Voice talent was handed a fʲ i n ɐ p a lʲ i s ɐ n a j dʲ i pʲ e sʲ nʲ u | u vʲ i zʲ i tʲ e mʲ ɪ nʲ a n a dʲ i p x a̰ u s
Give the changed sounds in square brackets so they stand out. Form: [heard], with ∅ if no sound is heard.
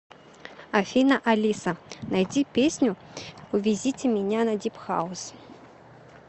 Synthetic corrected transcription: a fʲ i n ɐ [ʔ] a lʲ i s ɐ n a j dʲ i pʲ e sʲ nʲ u | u vʲ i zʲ i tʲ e mʲ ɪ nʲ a n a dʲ i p x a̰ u s